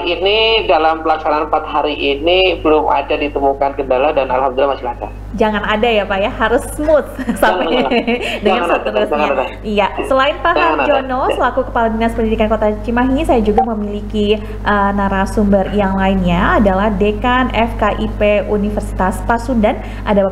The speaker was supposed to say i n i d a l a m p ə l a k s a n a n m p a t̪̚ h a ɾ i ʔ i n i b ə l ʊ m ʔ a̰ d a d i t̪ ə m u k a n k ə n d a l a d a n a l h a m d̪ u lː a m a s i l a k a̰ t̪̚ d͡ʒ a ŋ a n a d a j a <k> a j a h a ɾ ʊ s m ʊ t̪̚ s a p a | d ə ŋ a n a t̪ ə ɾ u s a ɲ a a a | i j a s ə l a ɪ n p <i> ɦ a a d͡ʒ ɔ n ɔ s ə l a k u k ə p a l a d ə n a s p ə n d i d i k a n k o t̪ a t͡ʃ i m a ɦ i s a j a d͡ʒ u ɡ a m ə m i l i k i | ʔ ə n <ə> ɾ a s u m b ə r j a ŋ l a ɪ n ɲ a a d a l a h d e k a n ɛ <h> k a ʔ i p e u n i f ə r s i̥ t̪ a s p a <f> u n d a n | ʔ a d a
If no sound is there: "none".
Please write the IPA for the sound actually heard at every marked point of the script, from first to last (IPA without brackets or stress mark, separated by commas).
p, a, a, f, s